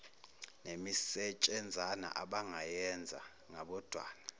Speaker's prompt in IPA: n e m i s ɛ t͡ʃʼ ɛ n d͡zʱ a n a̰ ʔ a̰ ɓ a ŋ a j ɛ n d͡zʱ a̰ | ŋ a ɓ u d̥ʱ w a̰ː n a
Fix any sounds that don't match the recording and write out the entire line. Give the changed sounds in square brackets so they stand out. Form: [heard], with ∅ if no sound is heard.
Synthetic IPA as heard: n e m i s ɛ t͡ʃʼ ɛ n d͡zʱ a n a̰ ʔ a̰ ɓ a ŋ a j ɛ n d͡zʱ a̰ | ŋ a ɓ [ɔ] d̥ʱ w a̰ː n a